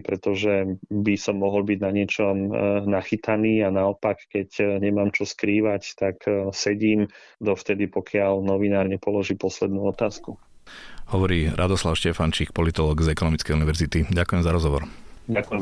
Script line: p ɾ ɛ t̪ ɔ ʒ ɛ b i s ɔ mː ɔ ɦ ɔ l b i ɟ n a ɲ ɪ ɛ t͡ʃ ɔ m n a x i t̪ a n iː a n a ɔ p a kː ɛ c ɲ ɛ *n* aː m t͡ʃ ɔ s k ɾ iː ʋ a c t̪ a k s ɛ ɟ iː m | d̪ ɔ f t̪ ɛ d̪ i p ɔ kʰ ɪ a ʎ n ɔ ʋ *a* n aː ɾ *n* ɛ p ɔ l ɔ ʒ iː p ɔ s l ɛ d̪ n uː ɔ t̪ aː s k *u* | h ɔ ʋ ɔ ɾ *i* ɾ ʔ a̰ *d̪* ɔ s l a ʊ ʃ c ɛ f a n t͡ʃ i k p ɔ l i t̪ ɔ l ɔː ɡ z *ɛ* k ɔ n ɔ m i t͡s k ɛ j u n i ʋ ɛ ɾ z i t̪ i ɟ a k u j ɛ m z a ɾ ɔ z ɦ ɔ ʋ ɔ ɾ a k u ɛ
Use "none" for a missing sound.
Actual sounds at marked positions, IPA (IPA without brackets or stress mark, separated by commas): m, i, ɲ, u, iː, d̪, ɛ